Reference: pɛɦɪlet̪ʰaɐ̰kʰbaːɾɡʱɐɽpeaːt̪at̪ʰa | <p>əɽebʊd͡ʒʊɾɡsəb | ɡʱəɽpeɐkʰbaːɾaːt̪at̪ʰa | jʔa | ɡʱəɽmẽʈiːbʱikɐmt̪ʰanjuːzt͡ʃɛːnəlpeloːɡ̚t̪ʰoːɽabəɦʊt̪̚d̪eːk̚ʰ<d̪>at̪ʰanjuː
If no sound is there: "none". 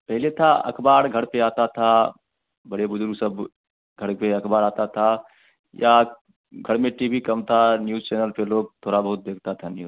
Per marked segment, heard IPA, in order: b, t̪

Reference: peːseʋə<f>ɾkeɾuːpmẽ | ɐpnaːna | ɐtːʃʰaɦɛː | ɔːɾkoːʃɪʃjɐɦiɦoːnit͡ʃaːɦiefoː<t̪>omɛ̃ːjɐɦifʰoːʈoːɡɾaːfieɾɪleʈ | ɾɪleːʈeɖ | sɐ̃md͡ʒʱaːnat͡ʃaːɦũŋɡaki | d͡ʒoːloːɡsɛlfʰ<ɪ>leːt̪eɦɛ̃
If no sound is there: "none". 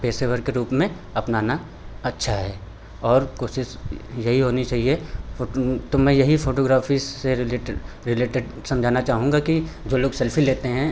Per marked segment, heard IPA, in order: none, t̪, i

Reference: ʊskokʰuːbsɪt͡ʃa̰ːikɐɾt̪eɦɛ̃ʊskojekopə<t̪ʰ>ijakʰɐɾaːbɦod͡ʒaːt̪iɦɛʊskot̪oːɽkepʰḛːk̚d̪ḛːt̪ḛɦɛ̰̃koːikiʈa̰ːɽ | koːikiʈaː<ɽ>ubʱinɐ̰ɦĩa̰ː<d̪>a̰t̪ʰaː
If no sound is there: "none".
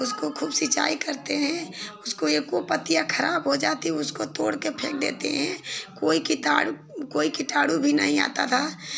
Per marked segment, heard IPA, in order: t̪, ɽ, t̪

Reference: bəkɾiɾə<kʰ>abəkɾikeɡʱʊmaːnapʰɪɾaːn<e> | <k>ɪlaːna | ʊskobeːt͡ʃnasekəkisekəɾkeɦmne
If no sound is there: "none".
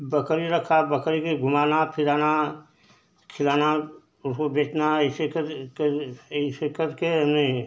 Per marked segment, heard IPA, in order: kʰ, a, kʰ

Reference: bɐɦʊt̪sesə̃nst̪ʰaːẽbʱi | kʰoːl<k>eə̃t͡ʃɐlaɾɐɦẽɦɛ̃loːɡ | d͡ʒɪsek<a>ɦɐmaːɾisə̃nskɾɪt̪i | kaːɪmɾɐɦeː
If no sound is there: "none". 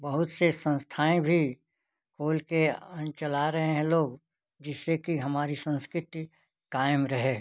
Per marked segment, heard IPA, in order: k, i

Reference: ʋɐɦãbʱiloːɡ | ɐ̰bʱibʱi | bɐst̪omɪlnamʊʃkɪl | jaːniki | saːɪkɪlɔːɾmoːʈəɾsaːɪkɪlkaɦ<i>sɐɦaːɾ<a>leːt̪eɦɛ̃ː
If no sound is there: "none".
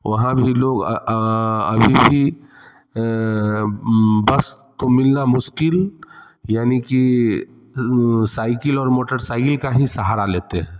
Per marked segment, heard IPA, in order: i, a

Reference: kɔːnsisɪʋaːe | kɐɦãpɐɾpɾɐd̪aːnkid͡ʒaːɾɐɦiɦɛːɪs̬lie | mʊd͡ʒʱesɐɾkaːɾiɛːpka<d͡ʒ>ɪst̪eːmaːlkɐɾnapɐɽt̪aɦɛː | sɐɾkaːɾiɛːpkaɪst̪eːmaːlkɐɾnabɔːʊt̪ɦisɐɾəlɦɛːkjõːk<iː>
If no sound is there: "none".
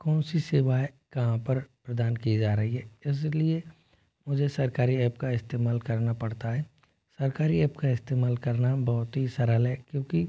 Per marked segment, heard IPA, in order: none, i

